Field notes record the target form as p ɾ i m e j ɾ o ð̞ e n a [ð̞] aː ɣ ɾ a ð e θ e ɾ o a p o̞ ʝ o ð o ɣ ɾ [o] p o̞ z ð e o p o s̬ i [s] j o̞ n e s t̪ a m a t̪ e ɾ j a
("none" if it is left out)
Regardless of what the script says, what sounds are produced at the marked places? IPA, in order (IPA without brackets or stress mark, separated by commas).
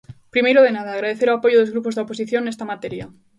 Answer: ð̞, u, θ